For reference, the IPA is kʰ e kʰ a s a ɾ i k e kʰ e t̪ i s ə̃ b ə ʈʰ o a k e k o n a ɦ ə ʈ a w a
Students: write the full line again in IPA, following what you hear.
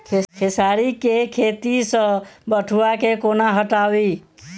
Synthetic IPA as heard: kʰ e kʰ e s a ɾ i k e kʰ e t̪ i s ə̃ b ə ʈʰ u a k e k o n a ɦ ə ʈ a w i